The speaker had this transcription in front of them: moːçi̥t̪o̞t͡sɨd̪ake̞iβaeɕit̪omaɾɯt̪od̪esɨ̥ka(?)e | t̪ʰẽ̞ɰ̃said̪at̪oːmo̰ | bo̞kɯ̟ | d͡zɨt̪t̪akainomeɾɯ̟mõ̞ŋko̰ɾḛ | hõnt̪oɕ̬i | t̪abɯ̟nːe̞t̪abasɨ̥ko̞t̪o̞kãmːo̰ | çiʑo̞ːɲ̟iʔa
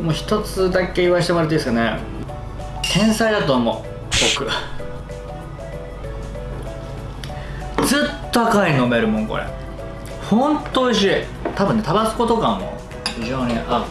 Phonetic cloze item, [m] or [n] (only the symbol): n